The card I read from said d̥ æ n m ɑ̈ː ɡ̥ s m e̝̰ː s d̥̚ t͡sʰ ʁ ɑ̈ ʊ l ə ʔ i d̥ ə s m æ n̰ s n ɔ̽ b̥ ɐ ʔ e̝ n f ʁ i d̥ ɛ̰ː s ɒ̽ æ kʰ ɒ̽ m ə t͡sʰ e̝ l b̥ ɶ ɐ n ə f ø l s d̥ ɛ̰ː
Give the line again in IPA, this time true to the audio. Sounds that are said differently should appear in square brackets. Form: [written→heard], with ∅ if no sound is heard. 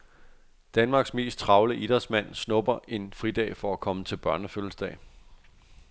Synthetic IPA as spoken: d̥ æ n m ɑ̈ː ɡ̥ s m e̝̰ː s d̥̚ t͡sʰ ʁ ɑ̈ ʊ l ə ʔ i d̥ [ə→ɐ] s m æ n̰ s n ɔ̽ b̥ ɐ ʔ e̝ n f ʁ i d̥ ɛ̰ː [s→f] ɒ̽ æ kʰ ɒ̽ m ə t͡sʰ e̝ l b̥ ɶ ɐ n ə f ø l s d̥ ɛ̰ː